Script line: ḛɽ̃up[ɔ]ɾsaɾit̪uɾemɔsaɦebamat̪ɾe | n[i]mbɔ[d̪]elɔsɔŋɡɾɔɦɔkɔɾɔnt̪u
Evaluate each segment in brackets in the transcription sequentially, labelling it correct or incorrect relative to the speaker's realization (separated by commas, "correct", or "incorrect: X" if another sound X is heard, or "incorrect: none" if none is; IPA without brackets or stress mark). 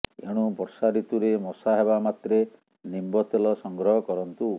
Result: correct, correct, incorrect: t̪